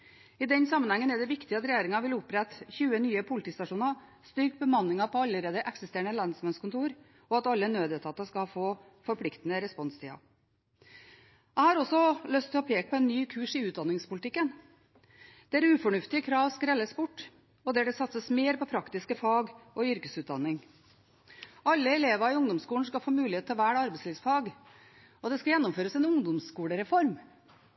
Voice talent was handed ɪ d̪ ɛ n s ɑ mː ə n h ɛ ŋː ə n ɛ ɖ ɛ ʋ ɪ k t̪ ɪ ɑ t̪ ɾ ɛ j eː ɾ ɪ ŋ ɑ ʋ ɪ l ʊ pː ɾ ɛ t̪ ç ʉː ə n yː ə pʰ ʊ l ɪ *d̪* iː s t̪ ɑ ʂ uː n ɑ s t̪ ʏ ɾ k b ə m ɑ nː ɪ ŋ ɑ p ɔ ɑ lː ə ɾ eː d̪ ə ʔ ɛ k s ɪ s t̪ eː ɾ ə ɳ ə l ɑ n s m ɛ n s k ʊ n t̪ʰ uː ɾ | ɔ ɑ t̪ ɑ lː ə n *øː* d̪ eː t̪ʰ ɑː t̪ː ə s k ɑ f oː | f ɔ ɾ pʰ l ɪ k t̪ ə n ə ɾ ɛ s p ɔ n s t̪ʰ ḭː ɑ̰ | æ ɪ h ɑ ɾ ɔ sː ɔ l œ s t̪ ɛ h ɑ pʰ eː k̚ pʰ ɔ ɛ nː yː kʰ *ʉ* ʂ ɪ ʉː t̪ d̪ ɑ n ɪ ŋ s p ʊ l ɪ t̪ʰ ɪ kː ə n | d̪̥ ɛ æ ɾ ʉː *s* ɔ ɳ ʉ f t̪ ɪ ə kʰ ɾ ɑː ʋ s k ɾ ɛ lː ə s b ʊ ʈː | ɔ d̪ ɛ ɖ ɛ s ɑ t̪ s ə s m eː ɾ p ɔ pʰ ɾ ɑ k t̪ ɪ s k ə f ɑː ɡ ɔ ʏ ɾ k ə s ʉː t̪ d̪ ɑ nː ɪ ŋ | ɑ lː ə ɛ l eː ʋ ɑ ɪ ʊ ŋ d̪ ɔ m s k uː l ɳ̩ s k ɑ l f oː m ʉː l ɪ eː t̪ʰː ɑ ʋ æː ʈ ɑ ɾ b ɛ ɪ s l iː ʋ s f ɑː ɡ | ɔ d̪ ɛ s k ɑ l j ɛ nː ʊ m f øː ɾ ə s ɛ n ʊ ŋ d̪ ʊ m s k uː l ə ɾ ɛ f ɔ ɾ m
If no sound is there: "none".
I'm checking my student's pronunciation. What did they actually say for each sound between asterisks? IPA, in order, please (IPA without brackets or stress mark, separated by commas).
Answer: t̪, øː, ʉː, f